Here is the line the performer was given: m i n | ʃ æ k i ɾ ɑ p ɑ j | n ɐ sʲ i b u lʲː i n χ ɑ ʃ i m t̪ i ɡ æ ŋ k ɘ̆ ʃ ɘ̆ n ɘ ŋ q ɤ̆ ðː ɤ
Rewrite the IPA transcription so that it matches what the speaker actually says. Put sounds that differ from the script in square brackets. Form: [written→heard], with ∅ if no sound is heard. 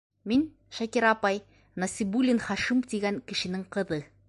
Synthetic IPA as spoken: m i n | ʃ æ k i ɾ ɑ p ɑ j | n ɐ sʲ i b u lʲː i n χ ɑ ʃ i m t̪ i ɡ æ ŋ k ɘ̆ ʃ ɘ̆ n ɘ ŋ q ɤ̆ [ðː→ð] ɤ